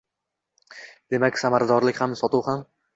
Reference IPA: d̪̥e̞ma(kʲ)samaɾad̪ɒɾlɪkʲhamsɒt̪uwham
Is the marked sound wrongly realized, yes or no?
no